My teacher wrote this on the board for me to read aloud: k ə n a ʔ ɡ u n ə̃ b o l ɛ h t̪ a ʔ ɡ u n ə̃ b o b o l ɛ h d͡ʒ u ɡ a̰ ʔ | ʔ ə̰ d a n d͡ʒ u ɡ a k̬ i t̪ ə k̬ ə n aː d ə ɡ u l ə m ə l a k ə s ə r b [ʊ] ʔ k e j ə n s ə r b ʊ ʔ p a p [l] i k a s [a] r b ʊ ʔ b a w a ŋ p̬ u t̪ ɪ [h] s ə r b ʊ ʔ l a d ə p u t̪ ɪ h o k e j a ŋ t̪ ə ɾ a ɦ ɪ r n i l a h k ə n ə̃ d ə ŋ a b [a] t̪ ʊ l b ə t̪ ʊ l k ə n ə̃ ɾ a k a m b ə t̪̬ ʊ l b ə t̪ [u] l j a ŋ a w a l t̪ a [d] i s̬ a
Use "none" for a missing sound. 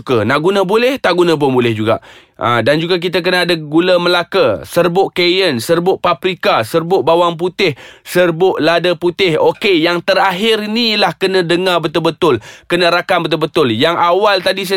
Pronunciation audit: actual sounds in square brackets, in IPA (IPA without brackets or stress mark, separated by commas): ʊ, ɾ, ə, h, ə, ʊ, d